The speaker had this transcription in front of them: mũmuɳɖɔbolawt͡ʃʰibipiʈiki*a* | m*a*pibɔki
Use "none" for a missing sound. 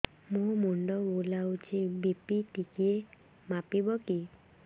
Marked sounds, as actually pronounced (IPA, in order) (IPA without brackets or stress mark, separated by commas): e, a